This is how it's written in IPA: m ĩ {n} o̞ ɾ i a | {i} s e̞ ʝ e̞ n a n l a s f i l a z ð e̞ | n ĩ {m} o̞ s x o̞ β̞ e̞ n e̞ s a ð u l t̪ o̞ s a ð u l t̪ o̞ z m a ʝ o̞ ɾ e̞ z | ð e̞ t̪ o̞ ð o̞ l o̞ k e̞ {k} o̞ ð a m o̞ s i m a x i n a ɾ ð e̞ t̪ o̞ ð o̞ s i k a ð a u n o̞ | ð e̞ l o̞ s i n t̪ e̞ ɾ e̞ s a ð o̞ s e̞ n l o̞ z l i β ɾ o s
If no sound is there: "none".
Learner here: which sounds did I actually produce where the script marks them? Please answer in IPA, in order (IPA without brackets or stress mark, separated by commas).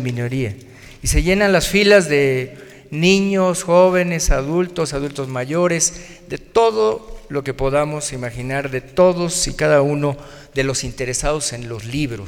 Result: n, i, ɲ, p